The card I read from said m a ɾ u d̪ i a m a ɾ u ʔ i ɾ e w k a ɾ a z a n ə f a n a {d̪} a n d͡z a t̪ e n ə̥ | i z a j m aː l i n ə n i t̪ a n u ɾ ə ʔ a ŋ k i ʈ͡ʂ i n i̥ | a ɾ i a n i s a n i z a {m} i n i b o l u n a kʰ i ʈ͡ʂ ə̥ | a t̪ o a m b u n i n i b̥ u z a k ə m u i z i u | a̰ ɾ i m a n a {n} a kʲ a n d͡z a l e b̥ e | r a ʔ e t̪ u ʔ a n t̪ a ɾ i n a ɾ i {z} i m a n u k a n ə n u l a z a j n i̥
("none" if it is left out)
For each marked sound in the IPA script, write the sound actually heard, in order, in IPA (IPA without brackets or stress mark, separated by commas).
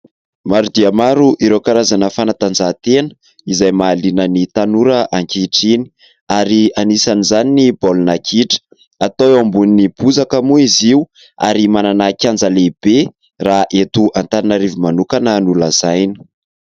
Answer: t̪, n, n, v